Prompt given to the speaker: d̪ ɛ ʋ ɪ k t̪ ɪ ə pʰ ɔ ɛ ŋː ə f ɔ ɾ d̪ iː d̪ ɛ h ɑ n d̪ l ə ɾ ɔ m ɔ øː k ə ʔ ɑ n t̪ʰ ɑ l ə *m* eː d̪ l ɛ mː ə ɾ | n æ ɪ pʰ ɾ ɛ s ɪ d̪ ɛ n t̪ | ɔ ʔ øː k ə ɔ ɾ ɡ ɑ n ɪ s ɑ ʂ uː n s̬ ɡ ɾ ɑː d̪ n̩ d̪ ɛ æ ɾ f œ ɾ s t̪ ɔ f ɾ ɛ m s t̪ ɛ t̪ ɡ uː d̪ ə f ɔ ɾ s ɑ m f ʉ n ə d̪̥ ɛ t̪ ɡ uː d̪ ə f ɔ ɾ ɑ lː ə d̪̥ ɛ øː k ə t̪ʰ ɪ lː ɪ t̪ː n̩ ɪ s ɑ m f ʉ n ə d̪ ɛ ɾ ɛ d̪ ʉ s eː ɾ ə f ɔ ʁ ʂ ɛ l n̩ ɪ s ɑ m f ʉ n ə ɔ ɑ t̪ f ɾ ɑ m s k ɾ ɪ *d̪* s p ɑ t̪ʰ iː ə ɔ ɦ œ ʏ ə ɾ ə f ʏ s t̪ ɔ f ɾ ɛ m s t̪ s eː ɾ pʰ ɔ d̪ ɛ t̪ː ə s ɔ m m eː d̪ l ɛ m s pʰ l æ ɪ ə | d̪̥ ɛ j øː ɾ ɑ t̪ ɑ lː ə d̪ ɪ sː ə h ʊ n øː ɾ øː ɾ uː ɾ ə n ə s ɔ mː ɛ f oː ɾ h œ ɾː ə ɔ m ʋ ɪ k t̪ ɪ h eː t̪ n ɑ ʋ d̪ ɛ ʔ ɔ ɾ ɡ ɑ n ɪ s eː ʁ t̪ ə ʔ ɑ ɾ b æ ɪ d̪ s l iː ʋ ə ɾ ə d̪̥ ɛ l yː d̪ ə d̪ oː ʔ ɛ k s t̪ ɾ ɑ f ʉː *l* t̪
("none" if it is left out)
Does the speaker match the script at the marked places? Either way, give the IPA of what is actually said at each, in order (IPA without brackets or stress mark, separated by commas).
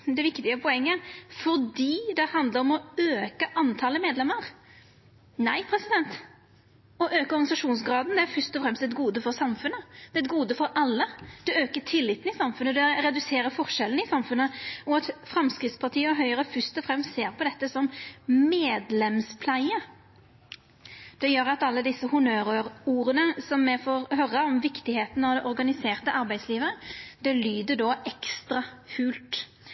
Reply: m, t̪, l